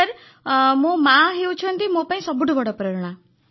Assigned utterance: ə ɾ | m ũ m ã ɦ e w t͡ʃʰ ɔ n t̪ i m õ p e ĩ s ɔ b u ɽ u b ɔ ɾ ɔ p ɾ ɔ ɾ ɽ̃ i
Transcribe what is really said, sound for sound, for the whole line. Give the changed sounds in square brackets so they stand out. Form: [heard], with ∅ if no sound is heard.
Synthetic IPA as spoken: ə ɾ | m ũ m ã ɦ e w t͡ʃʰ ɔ n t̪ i m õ p [a] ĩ s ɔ b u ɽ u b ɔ [ɽ] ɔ p ɾ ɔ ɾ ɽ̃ [a]

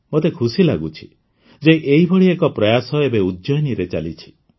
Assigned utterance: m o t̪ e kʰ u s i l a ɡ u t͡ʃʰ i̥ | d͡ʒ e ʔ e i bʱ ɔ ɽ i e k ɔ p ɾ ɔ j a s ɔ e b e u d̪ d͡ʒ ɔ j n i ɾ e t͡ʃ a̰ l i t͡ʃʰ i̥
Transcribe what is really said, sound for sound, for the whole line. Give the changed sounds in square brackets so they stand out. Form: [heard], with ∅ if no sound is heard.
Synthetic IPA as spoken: m o t̪ e kʰ u s i l a ɡ u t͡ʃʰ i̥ | d͡ʒ e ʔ e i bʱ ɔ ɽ i e k ɔ p ɾ ɔ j a s ɔ e b e u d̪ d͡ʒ ɔ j n i ɾ e t͡ʃ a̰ l i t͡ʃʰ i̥

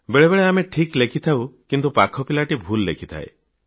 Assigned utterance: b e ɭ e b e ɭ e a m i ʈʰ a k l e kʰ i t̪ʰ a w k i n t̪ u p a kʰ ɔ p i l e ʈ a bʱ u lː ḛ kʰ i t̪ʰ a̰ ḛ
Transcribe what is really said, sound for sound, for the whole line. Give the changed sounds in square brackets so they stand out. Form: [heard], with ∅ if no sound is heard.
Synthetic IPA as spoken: b e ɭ e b e ɭ e a m [e] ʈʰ [i] k l e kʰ i t̪ʰ a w k i n t̪ u p a kʰ ɔ p i l [a] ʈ [i] bʱ u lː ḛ kʰ i t̪ʰ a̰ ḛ

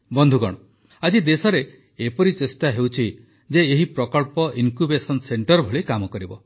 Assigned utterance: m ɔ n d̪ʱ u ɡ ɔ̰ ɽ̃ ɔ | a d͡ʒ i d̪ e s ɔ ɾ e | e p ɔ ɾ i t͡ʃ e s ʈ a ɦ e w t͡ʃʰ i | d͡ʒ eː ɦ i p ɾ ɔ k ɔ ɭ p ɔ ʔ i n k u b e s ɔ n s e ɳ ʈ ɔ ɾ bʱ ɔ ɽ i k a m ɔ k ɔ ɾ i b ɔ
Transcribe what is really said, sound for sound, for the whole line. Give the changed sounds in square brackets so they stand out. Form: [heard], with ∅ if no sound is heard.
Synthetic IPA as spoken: [b] ɔ n d̪ʱ u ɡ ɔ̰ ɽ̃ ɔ | a d͡ʒ i d̪ e s ɔ ɾ e | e p ɔ ɾ i t͡ʃ e s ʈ a ɦ e w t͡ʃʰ i | d͡ʒ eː ɦ i p ɾ ɔ k ɔ ɭ p ɔ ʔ i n k u b e s ɔ n s e ɳ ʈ ɔ ɾ bʱ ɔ [ɭ] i k a m ɔ k ɔ ɾ i b ɔ

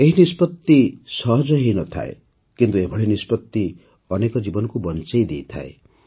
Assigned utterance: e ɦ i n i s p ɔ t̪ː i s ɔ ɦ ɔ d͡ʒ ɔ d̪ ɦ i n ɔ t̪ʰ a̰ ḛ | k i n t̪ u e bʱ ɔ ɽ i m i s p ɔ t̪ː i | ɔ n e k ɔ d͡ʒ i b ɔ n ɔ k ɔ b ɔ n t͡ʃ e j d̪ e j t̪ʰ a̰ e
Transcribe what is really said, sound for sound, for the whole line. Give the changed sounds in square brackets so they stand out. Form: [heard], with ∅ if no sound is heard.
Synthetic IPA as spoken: e ɦ i n i s p ɔ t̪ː i s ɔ ɦ ɔ d͡ʒ ɔ [∅] ɦ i n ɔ t̪ʰ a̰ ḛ | k i n t̪ u e bʱ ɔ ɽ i [n] i s p ɔ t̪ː i | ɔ n e k ɔ d͡ʒ i b ɔ n ɔ k [u] b ɔ n t͡ʃ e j d̪ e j t̪ʰ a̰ e

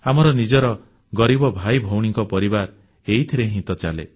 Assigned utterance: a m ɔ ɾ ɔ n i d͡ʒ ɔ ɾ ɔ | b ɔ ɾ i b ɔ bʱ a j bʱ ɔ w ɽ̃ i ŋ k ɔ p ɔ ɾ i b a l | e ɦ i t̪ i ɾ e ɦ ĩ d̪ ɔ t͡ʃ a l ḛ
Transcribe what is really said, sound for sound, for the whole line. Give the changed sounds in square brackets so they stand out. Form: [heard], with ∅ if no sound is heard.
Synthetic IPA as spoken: a m ɔ ɾ ɔ n i d͡ʒ ɔ ɾ ɔ | [ɡ] ɔ ɾ i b ɔ bʱ a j bʱ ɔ w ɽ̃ i ŋ k ɔ p ɔ ɾ i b a [ɾ] | e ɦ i [t̪ʰ] i ɾ e ɦ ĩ [t̪] ɔ t͡ʃ a l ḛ

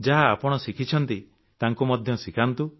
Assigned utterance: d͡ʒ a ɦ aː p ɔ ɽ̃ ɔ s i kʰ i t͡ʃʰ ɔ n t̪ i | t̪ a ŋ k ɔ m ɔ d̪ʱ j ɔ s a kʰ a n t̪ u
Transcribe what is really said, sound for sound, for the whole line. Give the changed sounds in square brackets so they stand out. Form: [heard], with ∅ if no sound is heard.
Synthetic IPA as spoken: d͡ʒ a ɦ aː p ɔ ɽ̃ ɔ s i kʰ i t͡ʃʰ ɔ n t̪ i | t̪ a ŋ k [u] m ɔ d̪ʱ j ɔ s [i] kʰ a n t̪ u

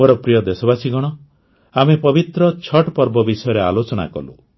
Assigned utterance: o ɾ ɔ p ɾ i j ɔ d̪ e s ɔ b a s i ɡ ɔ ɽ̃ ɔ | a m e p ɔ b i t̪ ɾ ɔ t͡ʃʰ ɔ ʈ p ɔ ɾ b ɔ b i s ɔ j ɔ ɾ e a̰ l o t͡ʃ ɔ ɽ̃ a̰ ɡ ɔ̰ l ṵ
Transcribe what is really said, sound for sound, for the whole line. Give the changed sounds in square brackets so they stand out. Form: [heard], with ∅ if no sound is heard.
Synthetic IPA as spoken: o ɾ ɔ p ɾ i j ɔ d̪ e s ɔ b a s i ɡ ɔ ɽ̃ ɔ | a m e p ɔ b i t̪ ɾ ɔ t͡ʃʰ ɔ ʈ p ɔ ɾ b ɔ b i s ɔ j ɔ ɾ e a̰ l o t͡ʃ ɔ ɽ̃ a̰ [k] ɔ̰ l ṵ

